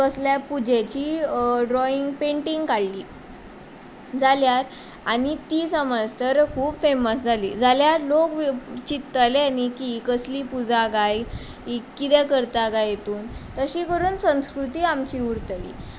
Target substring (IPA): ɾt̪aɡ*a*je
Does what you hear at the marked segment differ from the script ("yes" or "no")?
no